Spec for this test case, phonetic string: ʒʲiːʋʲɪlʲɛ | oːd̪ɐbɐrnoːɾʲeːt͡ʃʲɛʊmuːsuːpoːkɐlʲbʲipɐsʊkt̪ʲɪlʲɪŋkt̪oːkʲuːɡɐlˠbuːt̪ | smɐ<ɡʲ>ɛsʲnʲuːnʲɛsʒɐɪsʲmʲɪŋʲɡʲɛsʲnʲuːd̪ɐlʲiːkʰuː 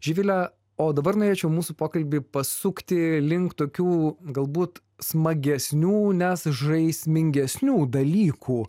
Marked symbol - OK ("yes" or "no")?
yes